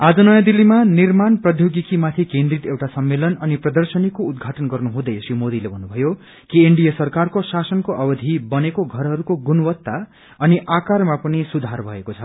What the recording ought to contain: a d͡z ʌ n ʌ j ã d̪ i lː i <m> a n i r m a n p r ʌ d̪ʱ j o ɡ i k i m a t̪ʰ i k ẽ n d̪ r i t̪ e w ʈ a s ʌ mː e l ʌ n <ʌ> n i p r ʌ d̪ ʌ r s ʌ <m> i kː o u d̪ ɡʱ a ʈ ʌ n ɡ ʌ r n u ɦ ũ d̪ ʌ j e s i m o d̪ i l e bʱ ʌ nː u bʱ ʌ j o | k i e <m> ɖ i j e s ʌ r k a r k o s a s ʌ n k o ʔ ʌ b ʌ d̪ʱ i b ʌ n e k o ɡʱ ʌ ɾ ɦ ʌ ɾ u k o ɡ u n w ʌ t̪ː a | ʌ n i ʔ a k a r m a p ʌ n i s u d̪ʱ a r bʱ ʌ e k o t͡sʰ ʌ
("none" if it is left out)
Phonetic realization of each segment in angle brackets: m, ʌ, n, ɳ

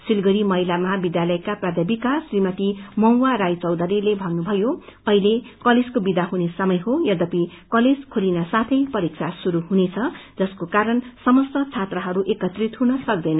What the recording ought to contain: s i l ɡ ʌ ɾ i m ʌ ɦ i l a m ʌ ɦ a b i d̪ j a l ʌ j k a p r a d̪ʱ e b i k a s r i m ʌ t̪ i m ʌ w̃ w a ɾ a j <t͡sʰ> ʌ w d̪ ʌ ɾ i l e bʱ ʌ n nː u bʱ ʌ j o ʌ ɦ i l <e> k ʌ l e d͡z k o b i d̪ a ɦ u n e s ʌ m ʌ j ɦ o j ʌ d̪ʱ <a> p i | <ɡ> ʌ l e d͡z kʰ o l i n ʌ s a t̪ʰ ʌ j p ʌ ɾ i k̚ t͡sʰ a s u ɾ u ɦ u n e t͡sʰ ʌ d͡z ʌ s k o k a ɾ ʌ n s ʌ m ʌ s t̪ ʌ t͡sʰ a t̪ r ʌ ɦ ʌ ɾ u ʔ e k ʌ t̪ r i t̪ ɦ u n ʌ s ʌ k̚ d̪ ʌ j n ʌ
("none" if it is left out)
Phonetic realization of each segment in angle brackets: t͡s, e, ʌ, k

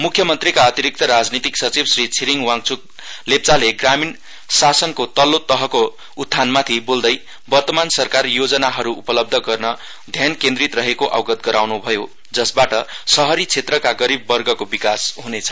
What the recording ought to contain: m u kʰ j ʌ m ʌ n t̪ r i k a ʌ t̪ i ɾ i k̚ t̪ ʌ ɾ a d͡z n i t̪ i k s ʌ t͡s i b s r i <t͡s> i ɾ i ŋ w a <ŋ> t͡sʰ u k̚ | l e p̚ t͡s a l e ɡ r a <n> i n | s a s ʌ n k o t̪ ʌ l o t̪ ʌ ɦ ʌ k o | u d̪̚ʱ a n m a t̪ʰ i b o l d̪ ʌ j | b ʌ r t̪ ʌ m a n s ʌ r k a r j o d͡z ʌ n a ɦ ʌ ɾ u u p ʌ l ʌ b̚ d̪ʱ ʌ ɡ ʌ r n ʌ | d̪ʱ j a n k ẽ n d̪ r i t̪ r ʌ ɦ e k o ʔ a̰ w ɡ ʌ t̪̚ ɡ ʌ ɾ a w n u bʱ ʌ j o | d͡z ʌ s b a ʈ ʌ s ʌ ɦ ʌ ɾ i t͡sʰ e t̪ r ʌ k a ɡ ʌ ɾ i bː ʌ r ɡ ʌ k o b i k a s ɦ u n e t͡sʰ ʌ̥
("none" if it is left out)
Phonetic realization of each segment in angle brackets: t͡sʰ, ŋ, m

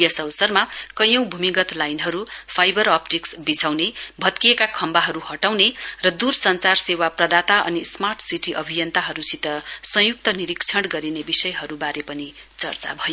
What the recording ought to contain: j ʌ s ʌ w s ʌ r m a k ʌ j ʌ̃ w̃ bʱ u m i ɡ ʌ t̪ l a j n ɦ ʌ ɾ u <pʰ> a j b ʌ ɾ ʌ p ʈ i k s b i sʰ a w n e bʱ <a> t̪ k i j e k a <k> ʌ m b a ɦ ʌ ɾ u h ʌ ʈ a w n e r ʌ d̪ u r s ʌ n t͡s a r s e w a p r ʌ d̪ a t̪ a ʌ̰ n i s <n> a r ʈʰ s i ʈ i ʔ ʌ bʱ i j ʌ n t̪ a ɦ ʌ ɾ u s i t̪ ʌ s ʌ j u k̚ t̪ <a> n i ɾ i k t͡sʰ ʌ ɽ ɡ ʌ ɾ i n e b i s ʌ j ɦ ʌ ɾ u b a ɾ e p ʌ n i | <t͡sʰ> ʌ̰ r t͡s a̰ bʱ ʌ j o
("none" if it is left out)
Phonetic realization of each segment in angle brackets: pʰ, ʌ, kʰ, m, ʌ, t͡s

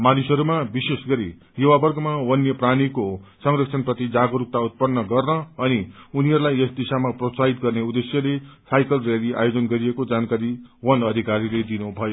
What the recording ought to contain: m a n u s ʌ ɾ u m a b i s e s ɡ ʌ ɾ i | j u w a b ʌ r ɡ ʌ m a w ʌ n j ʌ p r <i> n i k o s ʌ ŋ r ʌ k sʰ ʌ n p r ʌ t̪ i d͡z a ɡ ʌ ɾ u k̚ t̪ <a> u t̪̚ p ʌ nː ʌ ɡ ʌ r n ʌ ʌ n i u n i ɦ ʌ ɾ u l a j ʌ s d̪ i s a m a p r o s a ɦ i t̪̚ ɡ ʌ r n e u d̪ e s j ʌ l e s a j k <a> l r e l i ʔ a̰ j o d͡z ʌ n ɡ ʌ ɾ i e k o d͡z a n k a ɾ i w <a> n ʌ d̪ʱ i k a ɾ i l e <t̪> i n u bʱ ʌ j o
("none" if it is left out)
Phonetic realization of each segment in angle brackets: a, a, ʌ, ʌ, d̪

